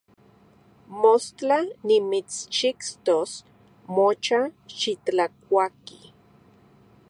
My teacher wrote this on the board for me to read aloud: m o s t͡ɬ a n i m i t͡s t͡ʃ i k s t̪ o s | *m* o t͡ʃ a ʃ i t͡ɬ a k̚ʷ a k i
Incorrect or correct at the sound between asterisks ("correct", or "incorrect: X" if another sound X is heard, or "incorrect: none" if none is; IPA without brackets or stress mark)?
correct